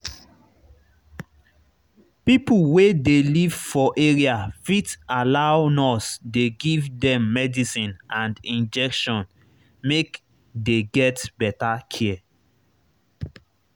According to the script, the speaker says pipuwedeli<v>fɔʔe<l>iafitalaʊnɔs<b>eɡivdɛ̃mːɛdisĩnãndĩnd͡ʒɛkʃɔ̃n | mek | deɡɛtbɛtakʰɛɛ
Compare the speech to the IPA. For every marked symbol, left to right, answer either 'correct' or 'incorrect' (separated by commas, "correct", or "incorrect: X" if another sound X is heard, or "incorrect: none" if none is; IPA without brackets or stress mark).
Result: correct, incorrect: ɹ, incorrect: d